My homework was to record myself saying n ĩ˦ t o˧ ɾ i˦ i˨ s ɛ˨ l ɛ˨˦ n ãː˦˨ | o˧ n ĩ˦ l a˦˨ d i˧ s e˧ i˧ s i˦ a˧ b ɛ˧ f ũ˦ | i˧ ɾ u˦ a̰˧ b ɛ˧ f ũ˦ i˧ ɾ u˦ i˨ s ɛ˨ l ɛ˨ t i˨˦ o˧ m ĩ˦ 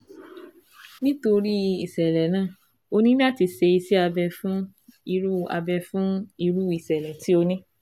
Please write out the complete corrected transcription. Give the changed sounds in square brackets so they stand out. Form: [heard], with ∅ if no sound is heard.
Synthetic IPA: n ĩ˦ t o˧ ɾ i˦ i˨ s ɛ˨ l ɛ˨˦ n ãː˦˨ | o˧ n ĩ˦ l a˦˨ [t] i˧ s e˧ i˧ s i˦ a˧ b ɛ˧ f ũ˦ | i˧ ɾ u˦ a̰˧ b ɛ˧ f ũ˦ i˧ ɾ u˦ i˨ s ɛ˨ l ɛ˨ t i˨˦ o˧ [n] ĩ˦